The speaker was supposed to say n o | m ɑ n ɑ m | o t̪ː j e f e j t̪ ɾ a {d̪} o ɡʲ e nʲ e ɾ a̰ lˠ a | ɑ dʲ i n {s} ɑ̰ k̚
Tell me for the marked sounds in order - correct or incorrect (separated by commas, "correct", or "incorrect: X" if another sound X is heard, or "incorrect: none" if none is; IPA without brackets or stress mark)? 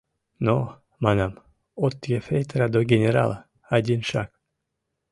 correct, incorrect: ʃ